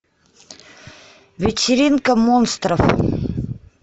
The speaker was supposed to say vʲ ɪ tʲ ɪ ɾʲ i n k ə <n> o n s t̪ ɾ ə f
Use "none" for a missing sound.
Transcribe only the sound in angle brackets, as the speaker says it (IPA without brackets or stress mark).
m